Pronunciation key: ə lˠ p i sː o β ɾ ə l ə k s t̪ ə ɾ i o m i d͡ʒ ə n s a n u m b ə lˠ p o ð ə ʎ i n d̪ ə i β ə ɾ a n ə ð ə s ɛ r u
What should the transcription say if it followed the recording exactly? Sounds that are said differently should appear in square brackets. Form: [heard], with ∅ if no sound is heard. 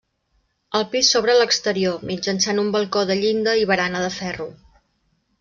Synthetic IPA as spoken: ə lˠ p i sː o β ɾ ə l ə k s t̪ ə ɾ i o m i d͡ʒ ə n s a n u m b ə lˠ [k] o ð ə ʎ i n d̪ ə i β ə ɾ a n ə ð ə [f] ɛ r u